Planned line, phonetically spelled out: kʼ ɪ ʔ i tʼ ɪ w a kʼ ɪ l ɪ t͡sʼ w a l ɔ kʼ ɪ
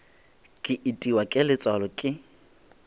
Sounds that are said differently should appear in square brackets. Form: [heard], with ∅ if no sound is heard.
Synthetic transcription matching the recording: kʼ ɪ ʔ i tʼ [i] w a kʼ ɪ l ɪ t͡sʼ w a l ɔ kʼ ɪ